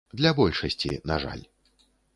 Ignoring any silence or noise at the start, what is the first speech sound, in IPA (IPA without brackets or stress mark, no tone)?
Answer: d̪